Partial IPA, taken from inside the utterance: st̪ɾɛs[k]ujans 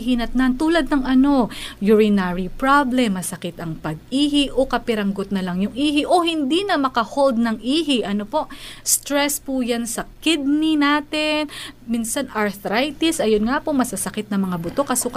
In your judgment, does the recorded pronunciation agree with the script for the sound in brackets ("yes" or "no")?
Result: no